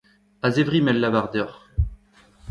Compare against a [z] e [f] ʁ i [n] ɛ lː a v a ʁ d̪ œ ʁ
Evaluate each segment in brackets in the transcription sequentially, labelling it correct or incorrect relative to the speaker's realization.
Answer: correct, incorrect: v, incorrect: m

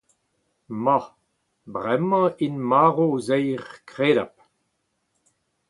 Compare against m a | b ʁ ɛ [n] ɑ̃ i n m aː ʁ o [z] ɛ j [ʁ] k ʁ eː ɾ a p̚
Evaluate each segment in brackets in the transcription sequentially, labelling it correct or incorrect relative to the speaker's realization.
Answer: incorrect: m, correct, correct

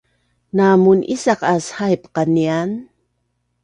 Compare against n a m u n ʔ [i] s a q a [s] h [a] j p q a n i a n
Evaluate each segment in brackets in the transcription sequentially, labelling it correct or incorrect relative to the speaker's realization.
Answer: correct, correct, correct

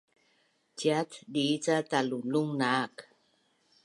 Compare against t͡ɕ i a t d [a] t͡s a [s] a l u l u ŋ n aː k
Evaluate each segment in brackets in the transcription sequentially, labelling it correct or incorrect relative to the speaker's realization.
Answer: incorrect: i, incorrect: t

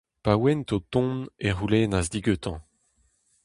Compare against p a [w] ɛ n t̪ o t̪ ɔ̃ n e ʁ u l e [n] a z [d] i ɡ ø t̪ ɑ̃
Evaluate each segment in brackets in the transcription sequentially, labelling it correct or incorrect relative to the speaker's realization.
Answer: correct, correct, correct

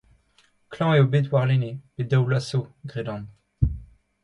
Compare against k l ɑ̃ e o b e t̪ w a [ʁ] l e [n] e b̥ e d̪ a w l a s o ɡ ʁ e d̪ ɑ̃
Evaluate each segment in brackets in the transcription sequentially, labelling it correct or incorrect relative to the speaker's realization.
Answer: correct, correct

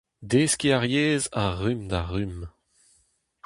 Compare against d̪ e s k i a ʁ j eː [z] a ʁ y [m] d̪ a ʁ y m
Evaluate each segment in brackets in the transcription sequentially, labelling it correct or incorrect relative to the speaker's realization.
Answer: correct, correct

